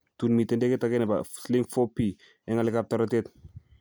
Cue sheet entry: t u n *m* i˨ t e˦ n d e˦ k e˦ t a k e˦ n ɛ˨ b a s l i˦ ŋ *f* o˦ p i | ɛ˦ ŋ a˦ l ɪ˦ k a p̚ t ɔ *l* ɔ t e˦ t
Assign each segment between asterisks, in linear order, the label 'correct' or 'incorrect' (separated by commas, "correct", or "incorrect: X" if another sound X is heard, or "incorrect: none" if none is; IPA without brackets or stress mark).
correct, correct, incorrect: ɾ